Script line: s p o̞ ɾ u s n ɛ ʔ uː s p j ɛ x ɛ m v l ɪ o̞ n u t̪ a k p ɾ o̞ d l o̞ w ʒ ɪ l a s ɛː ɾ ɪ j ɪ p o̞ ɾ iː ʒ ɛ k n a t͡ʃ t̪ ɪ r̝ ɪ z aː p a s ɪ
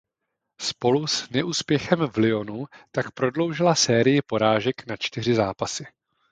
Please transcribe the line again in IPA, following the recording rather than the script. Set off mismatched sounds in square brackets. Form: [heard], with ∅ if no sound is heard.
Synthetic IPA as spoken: s p o̞ [l] u s n ɛ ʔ uː s p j ɛ x ɛ m v l ɪ o̞ n u t̪ a k p ɾ o̞ d l o̞ w ʒ ɪ l a s ɛː ɾ ɪ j ɪ p o̞ ɾ [aː] ʒ ɛ k n a t͡ʃ t̪ ɪ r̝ ɪ z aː p a s ɪ

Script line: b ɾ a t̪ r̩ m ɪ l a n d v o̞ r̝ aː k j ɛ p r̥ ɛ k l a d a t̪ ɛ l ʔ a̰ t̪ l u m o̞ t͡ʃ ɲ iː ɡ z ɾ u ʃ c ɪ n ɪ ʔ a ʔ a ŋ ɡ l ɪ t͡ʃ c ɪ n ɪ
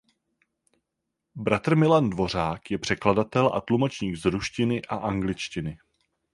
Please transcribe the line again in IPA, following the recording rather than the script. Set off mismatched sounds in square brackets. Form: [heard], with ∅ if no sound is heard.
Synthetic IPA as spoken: b ɾ a t̪ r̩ m ɪ l a n d v o̞ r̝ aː k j ɛ p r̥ ɛ k l a d a t̪ ɛ l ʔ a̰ t̪ l u m o̞ t͡ʃ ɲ iː ɡ z ɾ u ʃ c ɪ n ɪ ʔ a ʔ a ŋ ɡ l ɪ t͡ʃ c ɪ n ɪ

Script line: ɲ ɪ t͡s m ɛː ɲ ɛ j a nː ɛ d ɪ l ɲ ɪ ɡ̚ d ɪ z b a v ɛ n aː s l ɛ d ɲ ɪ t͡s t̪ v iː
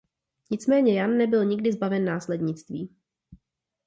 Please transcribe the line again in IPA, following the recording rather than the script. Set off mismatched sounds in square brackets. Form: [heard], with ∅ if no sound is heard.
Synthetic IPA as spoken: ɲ ɪ t͡s m ɛː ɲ ɛ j a nː ɛ [b] ɪ l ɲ ɪ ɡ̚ d ɪ z b a v ɛ [nː] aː s l ɛ d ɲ ɪ t͡s t̪ v iː

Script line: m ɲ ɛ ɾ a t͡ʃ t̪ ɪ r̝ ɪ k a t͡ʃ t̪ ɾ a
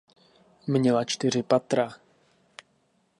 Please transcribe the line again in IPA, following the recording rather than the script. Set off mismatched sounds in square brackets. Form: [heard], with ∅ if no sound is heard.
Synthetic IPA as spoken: m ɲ ɛ [l] a t͡ʃ t̪ ɪ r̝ ɪ [p] a [∅] t̪ ɾ a

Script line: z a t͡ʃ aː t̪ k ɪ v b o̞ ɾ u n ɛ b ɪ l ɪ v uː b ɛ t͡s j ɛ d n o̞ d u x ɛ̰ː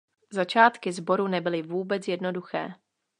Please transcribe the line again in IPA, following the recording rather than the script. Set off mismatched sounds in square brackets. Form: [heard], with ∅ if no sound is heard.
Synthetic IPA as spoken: z a t͡ʃ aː t̪ k ɪ [z] b o̞ ɾ u n ɛ b ɪ l ɪ v uː b ɛ t͡s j ɛ d n o̞ d u x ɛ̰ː

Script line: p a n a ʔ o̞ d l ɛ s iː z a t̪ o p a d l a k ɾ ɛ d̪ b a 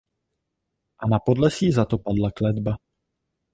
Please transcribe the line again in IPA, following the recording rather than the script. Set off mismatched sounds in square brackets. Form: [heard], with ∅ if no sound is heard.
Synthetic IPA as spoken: [ʔ] a n a [p] o̞ d l ɛ s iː z a t̪ o p a d l a k [l] ɛ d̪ b a

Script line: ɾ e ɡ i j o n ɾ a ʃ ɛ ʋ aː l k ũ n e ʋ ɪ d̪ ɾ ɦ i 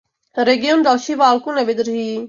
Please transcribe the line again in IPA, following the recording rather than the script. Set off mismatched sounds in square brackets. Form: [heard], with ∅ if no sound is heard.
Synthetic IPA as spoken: ɾ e ɡ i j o n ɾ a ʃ [i] ʋ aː l k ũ n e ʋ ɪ d̪ ɾ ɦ i

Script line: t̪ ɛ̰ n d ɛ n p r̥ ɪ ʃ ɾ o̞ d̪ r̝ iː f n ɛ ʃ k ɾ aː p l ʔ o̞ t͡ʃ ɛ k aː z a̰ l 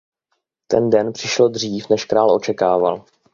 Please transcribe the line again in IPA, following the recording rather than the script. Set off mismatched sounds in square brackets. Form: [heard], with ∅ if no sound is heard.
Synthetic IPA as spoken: t̪ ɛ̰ n d ɛ n p r̥ ɪ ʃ [l] o̞ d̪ r̝ iː f n ɛ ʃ k ɾ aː [∅] l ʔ o̞ t͡ʃ ɛ k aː [v] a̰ l

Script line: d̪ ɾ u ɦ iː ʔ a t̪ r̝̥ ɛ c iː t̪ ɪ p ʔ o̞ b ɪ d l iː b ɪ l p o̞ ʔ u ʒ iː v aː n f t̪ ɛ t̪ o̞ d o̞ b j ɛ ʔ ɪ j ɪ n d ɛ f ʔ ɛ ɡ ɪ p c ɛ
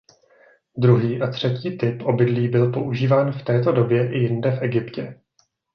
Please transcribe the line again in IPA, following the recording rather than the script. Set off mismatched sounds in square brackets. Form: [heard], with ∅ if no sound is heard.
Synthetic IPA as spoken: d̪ ɾ u ɦ iː ʔ a t̪ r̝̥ ɛ c iː t̪ ɪ p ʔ o̞ b ɪ d l iː b ɪ l p o̞ ʔ u ʒ iː v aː n f t̪ [ɛː] t̪ o̞ d o̞ b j ɛ ʔ ɪ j ɪ n d ɛ f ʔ ɛ ɡ ɪ p c ɛ

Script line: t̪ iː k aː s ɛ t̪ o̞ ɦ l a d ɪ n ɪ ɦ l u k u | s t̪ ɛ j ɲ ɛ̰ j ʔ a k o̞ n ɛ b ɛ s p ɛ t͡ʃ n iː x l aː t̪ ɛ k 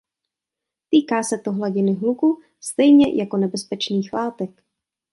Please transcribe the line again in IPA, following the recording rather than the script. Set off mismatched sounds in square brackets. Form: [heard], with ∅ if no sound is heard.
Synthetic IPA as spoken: t̪ iː k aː s ɛ t̪ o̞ ɦ l a [ɟ] ɪ n ɪ ɦ l u k u | s t̪ ɛ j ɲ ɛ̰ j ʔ a k o̞ n ɛ b ɛ s p ɛ t͡ʃ n iː x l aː t̪ ɛ k

